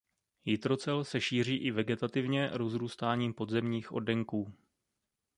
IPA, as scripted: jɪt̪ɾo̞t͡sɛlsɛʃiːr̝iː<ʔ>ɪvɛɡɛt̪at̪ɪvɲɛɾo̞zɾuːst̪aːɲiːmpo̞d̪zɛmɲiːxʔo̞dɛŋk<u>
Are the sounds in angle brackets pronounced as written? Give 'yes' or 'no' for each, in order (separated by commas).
yes, no